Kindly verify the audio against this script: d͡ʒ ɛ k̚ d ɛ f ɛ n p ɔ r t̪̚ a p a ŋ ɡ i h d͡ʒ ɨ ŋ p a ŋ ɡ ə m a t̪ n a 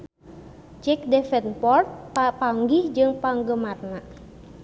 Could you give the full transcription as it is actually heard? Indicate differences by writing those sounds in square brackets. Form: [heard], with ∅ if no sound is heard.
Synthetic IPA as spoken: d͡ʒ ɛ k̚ d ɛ f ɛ n p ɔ r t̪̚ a p a ŋ ɡ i h d͡ʒ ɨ ŋ p a ŋ ɡ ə m a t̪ n a

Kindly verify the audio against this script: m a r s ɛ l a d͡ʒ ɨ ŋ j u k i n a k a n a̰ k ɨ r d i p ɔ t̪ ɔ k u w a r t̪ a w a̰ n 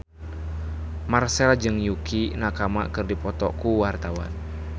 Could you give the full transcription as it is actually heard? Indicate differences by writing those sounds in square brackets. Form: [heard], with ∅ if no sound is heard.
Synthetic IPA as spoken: m a r s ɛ l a d͡ʒ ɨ ŋ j u k i n a k a [m] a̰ k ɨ r d i p ɔ t̪ ɔ k u w a r t̪ a w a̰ n

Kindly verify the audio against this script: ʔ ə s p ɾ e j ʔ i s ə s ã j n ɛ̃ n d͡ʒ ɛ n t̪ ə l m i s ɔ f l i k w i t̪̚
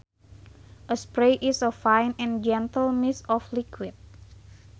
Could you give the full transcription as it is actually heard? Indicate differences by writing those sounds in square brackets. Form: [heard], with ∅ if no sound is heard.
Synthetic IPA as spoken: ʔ ə s p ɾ e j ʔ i s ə [f] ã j n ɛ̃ n d͡ʒ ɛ n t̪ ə l m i s ɔ f l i k w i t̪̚

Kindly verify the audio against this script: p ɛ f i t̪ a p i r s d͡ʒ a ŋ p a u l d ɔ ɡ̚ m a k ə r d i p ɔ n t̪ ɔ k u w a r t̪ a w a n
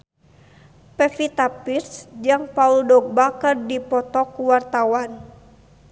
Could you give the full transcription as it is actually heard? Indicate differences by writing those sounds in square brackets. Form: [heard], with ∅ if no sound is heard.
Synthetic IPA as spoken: p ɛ f i t̪ a p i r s d͡ʒ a ŋ p a u l d ɔ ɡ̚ [b] a k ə r d i p ɔ [∅] t̪ ɔ k u w a r t̪ a w a n

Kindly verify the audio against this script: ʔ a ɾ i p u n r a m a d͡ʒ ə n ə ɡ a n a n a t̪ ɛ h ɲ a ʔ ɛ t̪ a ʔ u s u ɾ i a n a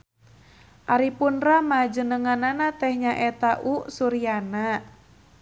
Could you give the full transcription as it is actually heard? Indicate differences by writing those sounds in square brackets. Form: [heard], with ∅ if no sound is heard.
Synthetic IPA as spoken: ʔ a ɾ i p u n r a m a d͡ʒ ə n ə [ŋ] a n a n a t̪ ɛ h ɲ a ʔ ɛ t̪ a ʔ u s u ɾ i a n a

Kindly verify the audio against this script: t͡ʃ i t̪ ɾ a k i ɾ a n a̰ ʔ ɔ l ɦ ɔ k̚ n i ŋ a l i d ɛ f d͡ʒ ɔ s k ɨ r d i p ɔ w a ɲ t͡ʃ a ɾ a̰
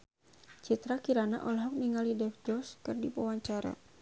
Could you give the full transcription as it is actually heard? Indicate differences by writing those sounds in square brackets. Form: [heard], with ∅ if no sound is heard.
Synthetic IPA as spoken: t͡ʃ i t̪ ɾ a k i ɾ a n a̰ ʔ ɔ l ɦ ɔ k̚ n i ŋ a l i d ɛ f d͡ʒ ɔ s k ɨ r d i p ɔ w a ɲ t͡ʃ a ɾ a̰

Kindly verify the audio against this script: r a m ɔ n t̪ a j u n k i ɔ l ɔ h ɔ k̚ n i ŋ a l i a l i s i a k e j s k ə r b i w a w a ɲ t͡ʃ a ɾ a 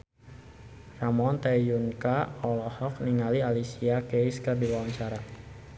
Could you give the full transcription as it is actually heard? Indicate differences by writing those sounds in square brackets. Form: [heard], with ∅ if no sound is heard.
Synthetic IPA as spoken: r a m ɔ n t̪ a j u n k [a] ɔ l ɔ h ɔ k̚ n i ŋ a l i a l i s i a k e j s k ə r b i w a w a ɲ t͡ʃ a ɾ a

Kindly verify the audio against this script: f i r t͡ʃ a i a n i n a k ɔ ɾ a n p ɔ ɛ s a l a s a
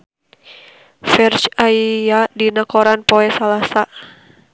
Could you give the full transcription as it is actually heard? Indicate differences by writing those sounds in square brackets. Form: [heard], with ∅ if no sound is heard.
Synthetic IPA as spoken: f [ɛ] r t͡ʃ a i a [d] i n a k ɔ ɾ a n p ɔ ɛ s a l a s a

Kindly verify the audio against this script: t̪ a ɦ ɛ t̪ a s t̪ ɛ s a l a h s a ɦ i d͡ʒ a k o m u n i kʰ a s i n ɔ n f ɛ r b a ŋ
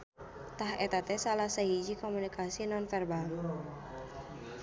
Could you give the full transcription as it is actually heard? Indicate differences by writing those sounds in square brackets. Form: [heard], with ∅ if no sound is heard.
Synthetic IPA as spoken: t̪ a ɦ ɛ t̪ a [∅] t̪ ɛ s a l a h s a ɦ i d͡ʒ [i] k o m u n i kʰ a s i n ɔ n f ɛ r b a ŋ

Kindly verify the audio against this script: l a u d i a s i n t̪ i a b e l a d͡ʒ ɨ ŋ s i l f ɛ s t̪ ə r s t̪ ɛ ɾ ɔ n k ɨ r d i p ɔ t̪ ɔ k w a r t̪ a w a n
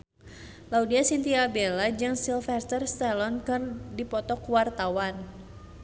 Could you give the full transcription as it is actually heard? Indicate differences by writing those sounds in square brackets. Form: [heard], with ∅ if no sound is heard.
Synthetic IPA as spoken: l a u d i a s i n t̪ i a b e l a d͡ʒ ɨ ŋ s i l f ɛ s t̪ ə r s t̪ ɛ [l] ɔ n k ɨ r d i p ɔ t̪ ɔ k w a r t̪ a w a n

